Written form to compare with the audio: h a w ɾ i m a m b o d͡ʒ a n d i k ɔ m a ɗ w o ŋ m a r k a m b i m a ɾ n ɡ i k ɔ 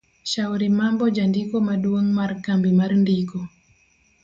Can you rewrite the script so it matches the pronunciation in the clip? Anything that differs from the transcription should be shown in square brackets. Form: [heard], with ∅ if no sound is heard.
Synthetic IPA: [ʃ] a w ɾ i m a m b [ɔ] d͡ʒ a n d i k ɔ m a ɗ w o ŋ m a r k a m b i m a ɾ n [d] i k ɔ